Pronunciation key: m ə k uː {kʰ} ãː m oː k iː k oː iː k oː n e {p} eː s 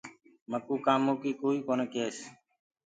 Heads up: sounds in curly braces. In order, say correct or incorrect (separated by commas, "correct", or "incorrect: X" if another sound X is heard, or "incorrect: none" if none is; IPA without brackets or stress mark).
incorrect: k, incorrect: k